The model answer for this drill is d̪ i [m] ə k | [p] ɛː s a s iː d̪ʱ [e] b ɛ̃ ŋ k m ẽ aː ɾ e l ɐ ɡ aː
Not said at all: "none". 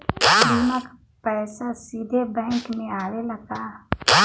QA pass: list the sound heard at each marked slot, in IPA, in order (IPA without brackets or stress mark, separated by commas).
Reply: m, p, e